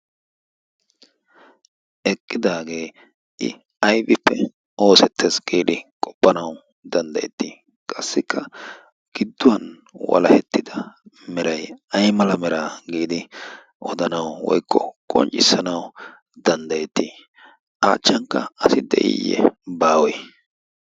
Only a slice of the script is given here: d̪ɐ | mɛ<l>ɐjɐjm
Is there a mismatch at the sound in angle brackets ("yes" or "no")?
yes